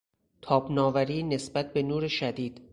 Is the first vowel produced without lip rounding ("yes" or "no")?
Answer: no